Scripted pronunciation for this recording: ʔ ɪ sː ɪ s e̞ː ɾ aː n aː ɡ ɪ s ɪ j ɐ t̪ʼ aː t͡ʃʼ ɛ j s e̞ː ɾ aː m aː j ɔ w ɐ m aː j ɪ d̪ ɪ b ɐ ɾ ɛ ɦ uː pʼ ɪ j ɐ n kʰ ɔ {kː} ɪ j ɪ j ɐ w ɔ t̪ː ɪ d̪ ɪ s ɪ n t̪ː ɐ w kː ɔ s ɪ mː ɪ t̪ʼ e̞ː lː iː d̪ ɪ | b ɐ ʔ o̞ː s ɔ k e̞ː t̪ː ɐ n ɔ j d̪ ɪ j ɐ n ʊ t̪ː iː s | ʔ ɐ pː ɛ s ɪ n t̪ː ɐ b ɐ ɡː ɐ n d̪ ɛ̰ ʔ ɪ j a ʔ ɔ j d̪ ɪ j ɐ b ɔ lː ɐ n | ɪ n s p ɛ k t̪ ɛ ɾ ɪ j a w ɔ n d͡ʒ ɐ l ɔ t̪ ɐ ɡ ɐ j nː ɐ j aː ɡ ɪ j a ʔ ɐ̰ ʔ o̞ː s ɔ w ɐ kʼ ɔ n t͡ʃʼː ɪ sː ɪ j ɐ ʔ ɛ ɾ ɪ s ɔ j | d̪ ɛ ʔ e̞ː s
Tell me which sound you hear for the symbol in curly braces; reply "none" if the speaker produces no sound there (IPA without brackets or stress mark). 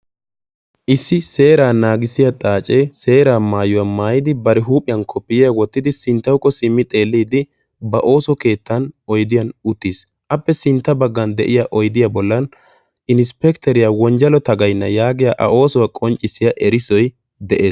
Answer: pː